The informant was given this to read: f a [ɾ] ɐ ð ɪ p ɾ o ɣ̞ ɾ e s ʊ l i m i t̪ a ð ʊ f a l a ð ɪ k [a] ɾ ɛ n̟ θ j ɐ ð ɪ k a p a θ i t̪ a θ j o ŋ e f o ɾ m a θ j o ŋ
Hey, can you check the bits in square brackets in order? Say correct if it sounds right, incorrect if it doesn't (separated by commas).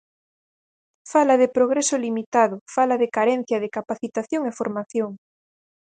incorrect, correct